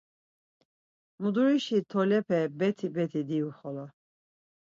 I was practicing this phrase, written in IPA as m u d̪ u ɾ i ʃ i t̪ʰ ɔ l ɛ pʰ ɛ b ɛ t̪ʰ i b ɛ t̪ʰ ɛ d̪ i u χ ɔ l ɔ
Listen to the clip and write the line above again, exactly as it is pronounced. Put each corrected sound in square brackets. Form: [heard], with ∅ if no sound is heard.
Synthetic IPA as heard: m u d̪ u ɾ i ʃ i t̪ʰ ɔ l ɛ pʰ ɛ b ɛ t̪ʰ i b ɛ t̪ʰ [i] d̪ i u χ ɔ l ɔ

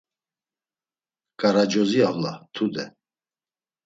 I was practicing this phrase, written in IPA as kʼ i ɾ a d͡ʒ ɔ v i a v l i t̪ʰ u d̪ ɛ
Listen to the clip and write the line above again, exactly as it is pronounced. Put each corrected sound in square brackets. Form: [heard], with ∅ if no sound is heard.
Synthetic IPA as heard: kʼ [a] ɾ a d͡ʒ ɔ [z] i a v l [a] t̪ʰ u d̪ ɛ

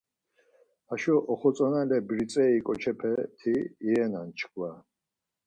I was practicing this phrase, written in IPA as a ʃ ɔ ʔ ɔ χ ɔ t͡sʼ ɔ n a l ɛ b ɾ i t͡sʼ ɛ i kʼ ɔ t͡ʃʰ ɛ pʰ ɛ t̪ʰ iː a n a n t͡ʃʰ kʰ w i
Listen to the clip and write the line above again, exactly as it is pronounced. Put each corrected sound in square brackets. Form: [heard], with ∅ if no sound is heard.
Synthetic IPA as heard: a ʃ ɔ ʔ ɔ χ ɔ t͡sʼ ɔ n a l ɛ b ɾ i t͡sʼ ɛ i kʼ ɔ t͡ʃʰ ɛ pʰ ɛ t̪ʰ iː [ɛ] n a n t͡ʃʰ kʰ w [a]

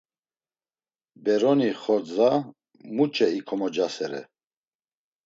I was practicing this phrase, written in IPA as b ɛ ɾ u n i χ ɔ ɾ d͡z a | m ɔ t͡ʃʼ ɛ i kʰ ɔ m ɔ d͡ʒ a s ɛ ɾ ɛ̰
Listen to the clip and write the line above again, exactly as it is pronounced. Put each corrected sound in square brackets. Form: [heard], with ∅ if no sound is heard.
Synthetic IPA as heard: b ɛ ɾ [ɔ] n i χ ɔ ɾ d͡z a | m [u] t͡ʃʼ ɛ i kʰ ɔ m ɔ d͡ʒ a s ɛ ɾ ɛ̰

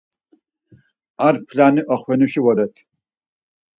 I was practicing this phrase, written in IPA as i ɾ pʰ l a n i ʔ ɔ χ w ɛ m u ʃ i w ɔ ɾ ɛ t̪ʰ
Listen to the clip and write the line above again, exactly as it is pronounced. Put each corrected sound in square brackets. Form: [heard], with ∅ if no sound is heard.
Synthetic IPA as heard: [a] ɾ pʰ l a n i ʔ ɔ χ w ɛ [n] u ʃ i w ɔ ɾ ɛ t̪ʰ

